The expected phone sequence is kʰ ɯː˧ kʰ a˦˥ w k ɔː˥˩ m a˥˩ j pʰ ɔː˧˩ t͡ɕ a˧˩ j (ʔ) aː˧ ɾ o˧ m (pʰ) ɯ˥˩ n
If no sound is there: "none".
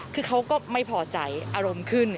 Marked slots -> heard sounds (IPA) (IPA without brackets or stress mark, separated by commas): ʔ, kʰ